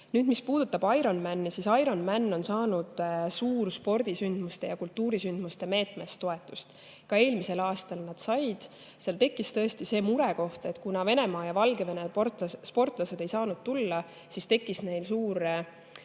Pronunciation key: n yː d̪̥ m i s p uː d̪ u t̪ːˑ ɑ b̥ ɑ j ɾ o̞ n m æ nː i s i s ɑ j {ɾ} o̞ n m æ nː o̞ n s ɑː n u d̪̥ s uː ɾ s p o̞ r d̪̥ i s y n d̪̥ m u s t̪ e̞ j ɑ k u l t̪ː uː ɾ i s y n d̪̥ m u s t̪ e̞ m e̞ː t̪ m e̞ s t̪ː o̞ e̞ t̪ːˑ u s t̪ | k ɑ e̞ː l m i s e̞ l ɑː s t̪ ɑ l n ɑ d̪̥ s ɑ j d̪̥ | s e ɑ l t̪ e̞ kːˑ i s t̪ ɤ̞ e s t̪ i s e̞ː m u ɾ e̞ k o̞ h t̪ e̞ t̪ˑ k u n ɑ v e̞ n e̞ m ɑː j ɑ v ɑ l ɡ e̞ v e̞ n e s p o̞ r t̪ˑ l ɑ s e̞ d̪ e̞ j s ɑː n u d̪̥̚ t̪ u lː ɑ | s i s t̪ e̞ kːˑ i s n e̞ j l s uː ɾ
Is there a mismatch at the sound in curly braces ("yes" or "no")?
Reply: no